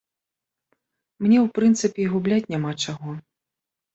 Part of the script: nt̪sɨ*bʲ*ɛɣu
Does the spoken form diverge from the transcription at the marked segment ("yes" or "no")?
yes